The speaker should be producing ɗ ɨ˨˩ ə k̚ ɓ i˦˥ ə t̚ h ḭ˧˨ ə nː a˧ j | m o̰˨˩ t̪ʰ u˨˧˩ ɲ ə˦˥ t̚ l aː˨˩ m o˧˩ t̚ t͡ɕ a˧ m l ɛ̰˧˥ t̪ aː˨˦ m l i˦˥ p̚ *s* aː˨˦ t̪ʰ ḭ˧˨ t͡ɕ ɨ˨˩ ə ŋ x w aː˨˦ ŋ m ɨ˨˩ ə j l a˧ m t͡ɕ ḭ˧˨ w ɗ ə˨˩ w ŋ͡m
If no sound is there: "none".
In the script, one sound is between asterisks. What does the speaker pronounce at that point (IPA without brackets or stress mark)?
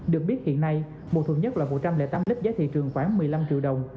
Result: z